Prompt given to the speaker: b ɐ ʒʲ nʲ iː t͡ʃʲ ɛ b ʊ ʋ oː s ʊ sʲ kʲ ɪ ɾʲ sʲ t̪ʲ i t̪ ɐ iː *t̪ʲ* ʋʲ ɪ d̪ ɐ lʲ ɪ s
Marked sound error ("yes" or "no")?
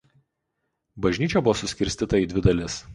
yes